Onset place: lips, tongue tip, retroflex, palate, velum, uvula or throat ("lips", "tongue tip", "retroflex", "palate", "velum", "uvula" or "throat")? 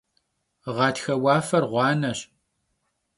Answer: uvula